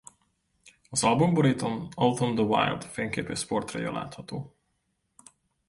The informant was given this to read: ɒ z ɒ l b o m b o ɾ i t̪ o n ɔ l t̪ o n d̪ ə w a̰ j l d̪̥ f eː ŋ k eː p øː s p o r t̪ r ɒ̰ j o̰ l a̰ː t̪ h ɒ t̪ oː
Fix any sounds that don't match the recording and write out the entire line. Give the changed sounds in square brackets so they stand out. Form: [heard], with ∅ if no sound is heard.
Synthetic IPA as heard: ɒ z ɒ l b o m b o ɾ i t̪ o n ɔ l t̪ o n d̪ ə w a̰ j l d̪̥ f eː ŋ k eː p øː s p o r t̪ r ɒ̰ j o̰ l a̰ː t̪ h ɒ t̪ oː